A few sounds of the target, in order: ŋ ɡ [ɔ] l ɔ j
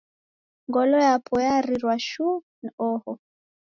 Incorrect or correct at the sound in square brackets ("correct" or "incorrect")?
correct